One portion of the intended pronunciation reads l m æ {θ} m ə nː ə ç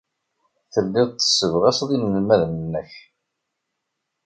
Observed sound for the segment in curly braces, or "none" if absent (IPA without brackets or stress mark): ð